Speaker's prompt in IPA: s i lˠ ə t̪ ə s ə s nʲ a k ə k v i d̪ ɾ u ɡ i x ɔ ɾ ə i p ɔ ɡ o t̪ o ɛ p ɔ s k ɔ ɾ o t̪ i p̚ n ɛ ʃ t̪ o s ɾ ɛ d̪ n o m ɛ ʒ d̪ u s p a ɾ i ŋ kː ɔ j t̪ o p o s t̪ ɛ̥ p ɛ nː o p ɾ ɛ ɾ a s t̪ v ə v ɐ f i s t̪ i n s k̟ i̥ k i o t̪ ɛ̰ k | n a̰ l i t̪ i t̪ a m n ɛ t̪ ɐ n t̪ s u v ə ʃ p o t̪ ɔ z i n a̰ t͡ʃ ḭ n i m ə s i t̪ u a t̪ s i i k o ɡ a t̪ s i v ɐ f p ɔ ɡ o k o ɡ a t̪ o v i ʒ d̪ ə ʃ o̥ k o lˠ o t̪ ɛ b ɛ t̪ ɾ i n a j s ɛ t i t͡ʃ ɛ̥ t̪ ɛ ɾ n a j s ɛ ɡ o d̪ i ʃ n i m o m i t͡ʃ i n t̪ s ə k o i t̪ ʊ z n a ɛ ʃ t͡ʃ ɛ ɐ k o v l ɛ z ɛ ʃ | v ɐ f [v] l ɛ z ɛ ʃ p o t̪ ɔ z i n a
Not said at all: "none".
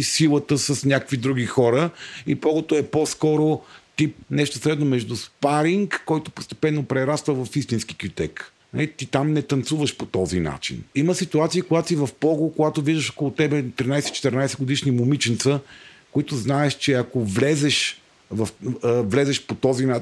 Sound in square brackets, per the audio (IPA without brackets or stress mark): v